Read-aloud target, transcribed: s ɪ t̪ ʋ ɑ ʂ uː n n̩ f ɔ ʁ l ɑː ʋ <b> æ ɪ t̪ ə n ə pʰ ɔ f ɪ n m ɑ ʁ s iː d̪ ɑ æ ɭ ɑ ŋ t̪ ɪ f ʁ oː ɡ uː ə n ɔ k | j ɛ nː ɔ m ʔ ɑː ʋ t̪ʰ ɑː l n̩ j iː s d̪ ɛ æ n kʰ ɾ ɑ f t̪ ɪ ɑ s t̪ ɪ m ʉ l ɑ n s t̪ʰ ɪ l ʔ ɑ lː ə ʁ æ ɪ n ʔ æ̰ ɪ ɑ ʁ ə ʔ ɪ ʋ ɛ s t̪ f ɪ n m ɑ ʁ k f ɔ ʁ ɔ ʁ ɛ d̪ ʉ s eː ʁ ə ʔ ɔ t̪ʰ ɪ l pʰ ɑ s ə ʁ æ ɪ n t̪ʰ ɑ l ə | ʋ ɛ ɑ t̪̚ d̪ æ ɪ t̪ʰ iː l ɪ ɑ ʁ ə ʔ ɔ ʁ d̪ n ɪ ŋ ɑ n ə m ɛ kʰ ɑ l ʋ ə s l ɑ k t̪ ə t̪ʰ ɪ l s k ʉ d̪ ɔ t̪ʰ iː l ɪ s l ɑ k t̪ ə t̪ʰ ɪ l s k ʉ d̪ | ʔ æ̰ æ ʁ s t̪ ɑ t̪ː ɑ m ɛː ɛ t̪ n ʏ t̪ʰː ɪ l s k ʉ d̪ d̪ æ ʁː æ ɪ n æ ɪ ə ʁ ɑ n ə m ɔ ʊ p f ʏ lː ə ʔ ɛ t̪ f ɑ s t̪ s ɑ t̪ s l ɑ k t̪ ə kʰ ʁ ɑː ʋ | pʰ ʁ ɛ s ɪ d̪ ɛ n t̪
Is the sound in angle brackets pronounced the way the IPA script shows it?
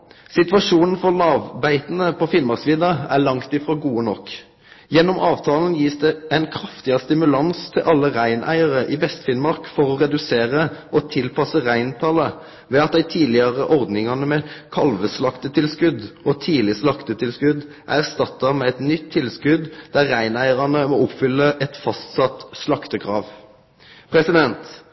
yes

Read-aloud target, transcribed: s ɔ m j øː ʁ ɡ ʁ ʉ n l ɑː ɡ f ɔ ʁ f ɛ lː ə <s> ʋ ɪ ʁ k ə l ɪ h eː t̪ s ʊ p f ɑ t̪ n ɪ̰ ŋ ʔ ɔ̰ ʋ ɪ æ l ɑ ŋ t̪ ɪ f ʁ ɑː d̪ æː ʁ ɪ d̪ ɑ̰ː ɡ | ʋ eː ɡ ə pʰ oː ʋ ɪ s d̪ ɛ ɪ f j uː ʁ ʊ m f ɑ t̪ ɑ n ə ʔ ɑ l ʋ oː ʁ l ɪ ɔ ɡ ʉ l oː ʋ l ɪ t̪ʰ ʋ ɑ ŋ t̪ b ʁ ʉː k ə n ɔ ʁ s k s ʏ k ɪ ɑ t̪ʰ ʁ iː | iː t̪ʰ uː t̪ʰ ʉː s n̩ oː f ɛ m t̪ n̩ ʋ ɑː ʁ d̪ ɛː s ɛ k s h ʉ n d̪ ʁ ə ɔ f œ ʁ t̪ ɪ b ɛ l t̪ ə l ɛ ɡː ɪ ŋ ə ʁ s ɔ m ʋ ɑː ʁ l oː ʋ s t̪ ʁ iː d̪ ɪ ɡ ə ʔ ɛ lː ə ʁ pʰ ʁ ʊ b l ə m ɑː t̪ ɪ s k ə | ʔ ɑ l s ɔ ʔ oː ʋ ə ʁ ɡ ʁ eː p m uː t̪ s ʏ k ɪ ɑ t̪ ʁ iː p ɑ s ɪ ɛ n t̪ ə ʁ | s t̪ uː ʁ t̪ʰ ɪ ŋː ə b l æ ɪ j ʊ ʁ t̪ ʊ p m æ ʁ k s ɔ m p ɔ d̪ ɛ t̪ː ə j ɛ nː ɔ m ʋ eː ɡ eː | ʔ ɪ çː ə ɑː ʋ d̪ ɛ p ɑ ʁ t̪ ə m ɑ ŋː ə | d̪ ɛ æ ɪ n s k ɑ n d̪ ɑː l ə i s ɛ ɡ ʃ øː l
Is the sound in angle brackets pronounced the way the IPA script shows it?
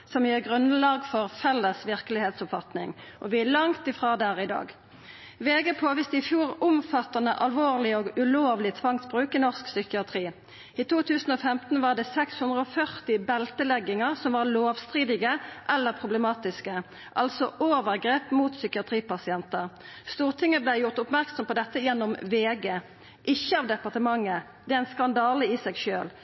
yes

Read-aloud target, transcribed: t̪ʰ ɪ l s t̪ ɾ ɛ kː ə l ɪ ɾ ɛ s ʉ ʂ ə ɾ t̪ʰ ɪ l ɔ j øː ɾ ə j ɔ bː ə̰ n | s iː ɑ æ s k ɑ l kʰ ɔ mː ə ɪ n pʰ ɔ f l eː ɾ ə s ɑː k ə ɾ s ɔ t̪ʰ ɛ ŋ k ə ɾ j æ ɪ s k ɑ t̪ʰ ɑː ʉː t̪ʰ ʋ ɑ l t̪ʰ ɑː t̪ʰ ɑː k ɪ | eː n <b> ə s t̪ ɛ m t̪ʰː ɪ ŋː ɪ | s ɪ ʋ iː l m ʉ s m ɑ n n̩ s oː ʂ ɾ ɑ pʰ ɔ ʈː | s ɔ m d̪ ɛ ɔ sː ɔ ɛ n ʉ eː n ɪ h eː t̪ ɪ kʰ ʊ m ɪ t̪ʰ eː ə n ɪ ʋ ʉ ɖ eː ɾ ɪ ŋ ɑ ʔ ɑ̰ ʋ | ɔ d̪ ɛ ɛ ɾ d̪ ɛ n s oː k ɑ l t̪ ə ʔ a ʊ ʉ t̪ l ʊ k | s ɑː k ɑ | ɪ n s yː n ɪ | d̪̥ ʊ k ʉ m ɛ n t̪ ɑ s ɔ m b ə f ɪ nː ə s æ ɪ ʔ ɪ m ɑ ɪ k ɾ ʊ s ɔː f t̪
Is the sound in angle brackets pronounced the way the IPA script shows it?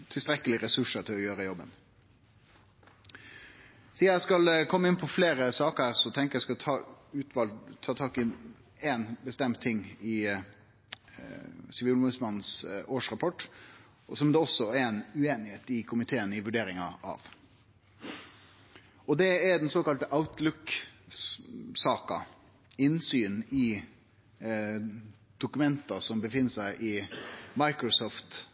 yes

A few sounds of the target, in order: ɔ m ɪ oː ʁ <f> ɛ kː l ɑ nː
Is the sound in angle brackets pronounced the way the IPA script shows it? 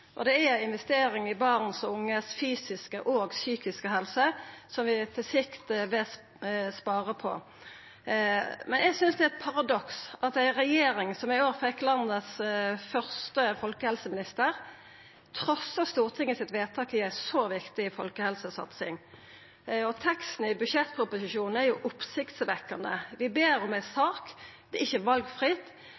yes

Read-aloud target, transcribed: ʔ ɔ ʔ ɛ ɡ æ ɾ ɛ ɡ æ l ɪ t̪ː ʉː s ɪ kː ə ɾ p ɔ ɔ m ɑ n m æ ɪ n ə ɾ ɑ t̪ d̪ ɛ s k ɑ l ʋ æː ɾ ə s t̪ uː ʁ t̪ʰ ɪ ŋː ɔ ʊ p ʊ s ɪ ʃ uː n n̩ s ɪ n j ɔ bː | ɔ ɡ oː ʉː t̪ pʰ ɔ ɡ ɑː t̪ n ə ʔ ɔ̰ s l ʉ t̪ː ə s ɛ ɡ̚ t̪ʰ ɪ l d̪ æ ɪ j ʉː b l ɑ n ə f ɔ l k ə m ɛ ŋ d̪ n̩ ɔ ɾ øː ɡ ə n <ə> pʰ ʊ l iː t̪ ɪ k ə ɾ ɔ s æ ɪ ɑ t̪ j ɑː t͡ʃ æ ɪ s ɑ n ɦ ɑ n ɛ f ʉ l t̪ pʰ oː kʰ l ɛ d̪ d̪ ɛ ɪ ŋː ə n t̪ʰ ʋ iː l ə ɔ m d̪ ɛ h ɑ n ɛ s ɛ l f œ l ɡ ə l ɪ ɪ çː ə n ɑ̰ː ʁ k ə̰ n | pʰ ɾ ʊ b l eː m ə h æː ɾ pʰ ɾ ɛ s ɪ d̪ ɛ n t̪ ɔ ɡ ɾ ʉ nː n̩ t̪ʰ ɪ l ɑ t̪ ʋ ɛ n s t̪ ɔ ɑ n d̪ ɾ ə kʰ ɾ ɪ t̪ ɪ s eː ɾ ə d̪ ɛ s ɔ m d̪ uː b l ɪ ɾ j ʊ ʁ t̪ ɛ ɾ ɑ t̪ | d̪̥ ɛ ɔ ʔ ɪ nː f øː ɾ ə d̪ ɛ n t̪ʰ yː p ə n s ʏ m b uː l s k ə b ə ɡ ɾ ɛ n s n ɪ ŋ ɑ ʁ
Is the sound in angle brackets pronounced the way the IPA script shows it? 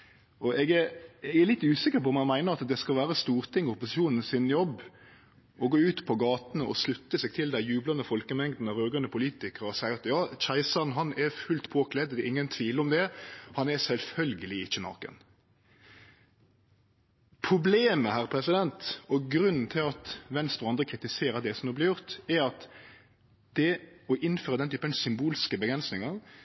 yes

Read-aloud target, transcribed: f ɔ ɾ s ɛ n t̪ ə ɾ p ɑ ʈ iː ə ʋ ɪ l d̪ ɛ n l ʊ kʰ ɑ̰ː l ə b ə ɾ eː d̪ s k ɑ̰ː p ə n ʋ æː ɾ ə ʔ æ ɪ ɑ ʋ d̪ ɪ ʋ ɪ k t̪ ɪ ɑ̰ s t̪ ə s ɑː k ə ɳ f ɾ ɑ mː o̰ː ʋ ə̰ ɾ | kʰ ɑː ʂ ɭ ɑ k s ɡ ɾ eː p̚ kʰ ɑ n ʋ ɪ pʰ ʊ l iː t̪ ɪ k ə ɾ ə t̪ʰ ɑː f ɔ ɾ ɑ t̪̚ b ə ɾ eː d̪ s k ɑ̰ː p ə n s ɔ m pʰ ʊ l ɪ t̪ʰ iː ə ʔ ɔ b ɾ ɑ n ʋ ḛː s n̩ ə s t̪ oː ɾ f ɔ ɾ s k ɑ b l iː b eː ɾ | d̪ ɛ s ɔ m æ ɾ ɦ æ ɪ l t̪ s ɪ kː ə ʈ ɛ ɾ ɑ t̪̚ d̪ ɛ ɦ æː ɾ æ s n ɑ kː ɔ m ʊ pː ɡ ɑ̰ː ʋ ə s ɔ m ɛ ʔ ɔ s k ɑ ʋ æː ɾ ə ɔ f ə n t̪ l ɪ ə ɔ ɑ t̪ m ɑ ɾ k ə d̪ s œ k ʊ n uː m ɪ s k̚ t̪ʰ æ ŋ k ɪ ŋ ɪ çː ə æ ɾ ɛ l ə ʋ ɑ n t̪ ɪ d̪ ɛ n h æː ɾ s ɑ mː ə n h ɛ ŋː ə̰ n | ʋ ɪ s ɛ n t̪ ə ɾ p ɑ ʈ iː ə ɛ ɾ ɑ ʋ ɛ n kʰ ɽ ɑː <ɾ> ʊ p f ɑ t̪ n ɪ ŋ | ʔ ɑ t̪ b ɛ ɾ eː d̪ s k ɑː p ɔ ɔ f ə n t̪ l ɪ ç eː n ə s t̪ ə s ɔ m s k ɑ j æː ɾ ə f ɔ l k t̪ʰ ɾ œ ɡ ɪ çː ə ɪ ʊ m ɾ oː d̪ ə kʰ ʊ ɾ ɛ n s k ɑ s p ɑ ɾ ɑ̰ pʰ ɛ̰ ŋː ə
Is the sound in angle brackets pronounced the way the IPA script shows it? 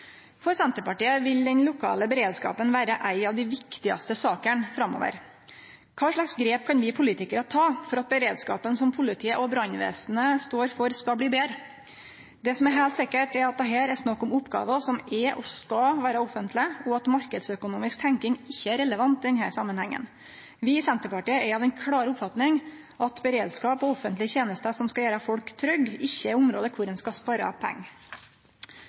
yes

